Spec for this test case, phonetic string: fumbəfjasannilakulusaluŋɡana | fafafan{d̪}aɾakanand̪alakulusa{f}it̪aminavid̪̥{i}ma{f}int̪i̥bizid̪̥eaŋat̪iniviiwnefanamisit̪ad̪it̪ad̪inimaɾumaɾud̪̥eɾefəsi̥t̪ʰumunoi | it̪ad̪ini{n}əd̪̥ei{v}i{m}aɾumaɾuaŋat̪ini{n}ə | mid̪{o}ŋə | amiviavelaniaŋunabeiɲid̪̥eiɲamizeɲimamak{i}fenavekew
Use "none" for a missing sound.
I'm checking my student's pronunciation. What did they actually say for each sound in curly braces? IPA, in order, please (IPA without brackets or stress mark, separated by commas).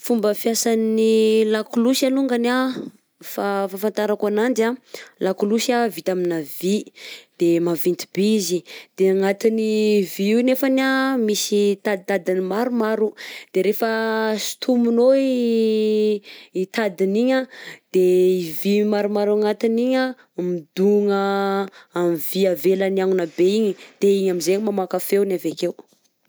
t̪, v, e, v, ɲ, v, m, ɲ, u, a